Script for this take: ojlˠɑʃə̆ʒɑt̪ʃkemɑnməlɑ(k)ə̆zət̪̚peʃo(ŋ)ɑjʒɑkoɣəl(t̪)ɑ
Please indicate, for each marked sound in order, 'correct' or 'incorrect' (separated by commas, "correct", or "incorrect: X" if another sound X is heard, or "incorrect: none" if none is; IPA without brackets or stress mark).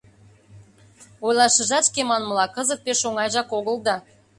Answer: correct, correct, incorrect: d̪